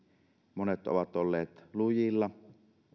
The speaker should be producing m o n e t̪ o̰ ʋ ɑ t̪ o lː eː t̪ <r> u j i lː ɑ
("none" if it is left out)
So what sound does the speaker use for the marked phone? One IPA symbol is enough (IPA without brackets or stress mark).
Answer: l